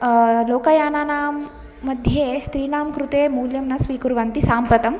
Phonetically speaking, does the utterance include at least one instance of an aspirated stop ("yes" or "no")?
no